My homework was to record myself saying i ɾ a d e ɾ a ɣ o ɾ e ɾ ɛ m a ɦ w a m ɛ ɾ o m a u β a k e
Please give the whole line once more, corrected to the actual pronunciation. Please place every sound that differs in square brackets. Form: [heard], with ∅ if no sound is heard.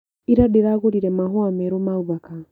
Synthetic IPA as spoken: i ɾ a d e ɾ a ɣ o ɾ [i] ɾ ɛ m a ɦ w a m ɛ ɾ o m a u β a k [a]